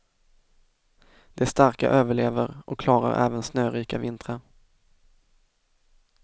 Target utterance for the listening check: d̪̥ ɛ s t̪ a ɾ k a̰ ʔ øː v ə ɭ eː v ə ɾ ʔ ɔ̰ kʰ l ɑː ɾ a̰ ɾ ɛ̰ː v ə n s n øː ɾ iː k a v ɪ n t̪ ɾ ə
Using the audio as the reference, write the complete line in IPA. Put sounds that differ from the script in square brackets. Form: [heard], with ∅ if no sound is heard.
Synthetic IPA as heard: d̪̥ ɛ s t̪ a ɾ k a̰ ʔ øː v ə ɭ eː v ə ɾ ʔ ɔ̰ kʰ l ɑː ɾ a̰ ɾ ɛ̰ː v ə n s n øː ɾ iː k a v ɪ n t̪ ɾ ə